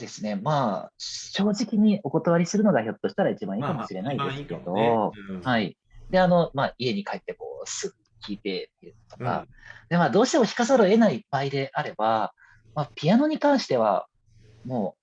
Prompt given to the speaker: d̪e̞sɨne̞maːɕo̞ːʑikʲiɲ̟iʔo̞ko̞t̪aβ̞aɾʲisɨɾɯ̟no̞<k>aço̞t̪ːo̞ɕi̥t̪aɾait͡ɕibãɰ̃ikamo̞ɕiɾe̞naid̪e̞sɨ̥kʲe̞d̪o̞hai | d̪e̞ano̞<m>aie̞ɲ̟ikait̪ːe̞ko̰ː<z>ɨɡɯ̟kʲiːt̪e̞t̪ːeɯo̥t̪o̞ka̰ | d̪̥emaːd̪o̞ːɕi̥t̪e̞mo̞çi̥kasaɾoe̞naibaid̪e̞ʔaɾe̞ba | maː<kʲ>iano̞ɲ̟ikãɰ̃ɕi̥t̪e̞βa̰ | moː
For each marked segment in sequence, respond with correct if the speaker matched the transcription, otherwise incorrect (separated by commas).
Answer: incorrect, correct, incorrect, incorrect